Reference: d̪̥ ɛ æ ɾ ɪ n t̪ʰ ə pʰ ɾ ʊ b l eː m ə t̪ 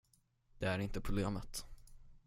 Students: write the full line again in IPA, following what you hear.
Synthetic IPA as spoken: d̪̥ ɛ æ ɾ ɪ n t̪ ə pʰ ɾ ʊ b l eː m ə t̪